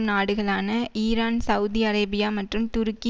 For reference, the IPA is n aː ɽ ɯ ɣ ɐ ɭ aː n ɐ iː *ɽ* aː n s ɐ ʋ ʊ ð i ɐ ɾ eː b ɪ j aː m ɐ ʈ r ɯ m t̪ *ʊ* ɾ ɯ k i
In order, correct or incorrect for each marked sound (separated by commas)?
incorrect, correct